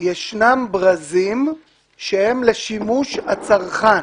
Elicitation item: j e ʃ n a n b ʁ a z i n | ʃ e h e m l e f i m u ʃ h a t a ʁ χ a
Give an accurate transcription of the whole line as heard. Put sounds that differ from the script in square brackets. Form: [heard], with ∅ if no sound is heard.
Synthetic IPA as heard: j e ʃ n a [m] b ʁ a z i [m] | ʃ e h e m l e [ʃ] i m u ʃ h a [t͡s] a ʁ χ a